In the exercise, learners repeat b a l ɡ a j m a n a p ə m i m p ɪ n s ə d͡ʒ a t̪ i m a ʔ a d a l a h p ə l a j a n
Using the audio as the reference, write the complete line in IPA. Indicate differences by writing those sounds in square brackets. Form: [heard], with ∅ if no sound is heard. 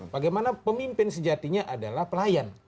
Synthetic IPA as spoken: b a [∅] ɡ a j m a n a p ə m i m p ɪ n s ə d͡ʒ a t̪ i [ɲ] a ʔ a d a l a h p ə l a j a n